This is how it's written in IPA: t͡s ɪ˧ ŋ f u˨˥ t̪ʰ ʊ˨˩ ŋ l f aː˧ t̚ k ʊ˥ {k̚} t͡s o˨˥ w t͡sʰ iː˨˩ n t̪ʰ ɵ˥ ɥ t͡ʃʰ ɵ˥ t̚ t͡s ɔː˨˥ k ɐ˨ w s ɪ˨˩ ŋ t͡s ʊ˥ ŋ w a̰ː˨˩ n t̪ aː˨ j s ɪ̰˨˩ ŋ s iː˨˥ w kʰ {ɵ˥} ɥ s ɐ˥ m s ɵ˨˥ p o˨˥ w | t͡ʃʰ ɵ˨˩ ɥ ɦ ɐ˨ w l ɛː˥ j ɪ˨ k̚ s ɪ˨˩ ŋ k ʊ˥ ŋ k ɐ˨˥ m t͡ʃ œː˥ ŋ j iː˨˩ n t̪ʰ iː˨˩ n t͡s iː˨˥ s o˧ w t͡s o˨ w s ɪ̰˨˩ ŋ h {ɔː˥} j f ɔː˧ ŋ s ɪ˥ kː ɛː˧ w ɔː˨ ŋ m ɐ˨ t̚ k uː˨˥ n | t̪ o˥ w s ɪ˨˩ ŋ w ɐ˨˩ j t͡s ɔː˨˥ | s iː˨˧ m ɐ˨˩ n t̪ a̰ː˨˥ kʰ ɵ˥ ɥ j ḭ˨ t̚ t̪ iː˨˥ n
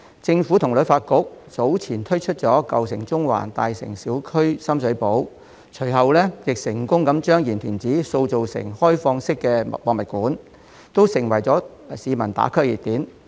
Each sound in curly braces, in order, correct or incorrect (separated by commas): correct, correct, correct